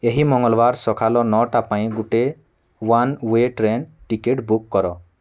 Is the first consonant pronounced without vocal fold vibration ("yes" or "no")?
no